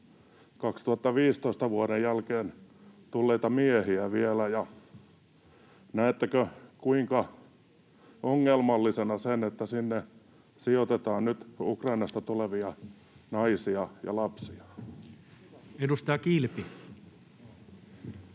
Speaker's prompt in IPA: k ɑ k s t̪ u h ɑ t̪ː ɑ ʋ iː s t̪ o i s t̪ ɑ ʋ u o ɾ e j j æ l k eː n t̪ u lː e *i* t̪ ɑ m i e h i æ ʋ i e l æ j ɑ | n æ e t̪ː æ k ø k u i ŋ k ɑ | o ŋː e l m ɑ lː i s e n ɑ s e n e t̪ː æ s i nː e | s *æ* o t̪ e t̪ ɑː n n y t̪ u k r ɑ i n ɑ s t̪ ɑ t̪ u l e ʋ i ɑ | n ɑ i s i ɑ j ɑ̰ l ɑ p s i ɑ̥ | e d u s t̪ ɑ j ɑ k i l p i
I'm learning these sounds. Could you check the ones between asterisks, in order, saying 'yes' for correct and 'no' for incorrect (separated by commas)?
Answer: yes, no